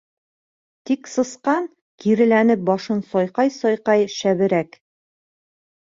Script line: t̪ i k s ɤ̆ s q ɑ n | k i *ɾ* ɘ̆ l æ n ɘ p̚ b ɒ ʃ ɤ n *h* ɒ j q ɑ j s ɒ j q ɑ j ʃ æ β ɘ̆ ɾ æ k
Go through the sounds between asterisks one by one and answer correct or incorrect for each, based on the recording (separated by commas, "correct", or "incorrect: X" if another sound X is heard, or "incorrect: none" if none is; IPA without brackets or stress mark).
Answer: correct, incorrect: s